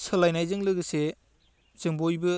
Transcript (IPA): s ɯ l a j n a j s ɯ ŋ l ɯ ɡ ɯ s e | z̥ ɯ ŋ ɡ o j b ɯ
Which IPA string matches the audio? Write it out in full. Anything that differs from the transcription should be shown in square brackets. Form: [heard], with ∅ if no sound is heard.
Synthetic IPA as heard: s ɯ l a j n a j [z] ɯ ŋ l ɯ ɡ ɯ s e | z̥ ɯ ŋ [b] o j b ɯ